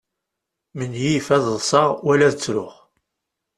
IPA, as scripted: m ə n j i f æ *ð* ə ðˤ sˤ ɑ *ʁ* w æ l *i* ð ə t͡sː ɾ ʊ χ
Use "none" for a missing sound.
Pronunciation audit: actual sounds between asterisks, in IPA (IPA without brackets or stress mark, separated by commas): ð, ʁ, æ